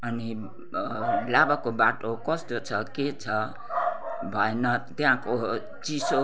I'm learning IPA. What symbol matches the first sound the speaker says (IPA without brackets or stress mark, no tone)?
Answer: ʌ